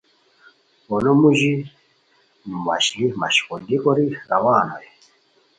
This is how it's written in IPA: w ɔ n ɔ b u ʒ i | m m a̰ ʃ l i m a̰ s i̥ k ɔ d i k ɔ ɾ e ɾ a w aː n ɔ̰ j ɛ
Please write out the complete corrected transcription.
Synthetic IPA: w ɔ n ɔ m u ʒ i | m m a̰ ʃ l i m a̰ ʃ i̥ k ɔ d i k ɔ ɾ i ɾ a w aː n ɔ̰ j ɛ